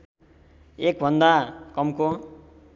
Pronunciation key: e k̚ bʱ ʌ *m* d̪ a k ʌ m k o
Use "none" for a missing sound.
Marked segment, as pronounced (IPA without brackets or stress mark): n